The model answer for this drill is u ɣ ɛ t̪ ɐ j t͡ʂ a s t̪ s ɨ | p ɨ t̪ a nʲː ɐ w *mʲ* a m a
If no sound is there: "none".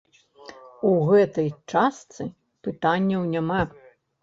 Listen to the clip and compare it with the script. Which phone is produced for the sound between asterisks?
nʲ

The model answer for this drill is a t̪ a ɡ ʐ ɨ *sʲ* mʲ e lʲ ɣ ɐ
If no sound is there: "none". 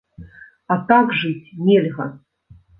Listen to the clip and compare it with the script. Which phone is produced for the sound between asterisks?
t͡sʲ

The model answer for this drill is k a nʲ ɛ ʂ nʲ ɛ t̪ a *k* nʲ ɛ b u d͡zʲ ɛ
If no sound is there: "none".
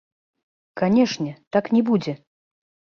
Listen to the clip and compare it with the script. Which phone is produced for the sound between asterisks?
k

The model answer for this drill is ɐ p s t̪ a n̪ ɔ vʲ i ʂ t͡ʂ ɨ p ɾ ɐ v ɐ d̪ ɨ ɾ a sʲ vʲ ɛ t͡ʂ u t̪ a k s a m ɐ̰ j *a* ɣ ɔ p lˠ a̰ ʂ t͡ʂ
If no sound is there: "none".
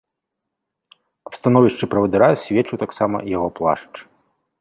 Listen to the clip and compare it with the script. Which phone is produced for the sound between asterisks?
a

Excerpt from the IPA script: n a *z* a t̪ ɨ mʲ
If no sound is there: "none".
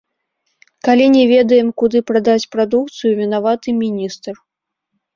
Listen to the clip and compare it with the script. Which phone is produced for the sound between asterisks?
v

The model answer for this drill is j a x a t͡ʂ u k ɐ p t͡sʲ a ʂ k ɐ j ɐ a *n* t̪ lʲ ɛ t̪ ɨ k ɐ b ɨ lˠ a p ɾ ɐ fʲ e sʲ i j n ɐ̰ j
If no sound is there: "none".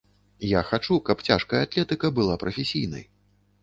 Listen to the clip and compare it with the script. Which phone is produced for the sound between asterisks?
none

